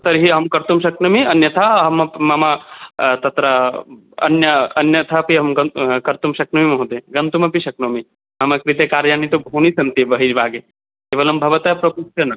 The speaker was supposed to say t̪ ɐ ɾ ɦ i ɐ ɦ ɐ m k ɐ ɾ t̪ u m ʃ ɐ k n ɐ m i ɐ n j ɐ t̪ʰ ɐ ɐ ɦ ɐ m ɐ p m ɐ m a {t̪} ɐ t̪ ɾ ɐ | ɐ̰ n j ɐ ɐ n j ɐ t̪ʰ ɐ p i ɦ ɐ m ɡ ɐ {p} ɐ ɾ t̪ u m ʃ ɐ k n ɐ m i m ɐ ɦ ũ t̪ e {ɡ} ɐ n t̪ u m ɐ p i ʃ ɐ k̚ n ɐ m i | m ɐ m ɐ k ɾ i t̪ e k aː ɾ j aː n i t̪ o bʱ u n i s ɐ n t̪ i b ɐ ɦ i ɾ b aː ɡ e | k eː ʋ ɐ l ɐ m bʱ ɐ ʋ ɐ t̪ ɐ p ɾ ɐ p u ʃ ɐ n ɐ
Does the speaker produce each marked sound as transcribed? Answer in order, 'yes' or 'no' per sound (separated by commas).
yes, no, yes